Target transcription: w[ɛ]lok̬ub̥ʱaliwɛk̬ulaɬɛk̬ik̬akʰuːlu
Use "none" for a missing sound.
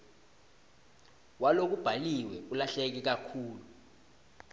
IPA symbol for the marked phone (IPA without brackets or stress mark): a